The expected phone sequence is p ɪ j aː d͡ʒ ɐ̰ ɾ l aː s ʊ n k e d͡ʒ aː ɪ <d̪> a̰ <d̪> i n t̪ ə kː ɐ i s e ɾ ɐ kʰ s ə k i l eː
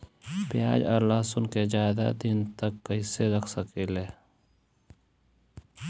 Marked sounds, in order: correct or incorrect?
correct, correct

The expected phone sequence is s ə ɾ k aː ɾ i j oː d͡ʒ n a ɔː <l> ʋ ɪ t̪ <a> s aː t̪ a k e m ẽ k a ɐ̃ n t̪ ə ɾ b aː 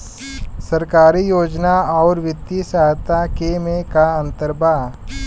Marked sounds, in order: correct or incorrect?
incorrect: ɾ, incorrect: i

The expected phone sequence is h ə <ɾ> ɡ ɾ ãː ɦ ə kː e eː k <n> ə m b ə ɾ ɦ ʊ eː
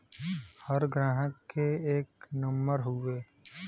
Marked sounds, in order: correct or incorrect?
correct, correct

